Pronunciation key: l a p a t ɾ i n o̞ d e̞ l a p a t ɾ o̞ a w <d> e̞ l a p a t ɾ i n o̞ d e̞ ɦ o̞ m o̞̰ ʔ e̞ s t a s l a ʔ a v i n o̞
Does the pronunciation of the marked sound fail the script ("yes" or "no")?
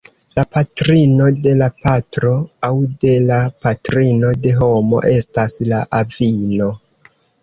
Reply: no